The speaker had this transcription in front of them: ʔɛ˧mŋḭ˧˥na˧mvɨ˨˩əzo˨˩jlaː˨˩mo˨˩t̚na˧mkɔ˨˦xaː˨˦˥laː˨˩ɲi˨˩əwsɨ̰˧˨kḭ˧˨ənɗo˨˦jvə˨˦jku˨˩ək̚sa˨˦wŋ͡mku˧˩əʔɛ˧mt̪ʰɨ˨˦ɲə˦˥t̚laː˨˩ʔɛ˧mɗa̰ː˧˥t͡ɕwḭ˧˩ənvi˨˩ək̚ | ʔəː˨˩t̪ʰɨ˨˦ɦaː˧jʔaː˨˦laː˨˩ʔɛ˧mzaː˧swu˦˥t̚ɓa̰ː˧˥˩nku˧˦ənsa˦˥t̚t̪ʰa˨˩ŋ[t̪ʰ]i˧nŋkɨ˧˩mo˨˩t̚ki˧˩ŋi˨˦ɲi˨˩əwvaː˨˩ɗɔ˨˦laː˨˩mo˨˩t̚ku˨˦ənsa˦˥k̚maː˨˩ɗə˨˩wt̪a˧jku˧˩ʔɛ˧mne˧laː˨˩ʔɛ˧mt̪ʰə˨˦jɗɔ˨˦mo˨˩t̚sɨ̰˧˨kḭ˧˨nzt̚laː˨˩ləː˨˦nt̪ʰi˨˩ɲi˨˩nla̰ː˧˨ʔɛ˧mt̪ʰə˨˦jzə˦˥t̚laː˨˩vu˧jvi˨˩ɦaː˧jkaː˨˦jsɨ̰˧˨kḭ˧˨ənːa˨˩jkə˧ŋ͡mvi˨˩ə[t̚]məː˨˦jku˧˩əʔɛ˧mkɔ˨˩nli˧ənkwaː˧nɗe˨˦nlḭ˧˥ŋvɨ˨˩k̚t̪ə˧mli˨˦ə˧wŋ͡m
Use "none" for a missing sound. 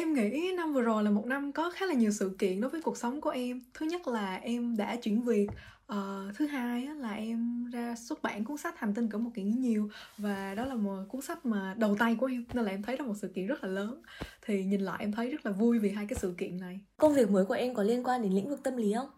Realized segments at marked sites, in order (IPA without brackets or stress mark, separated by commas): t̪, k̚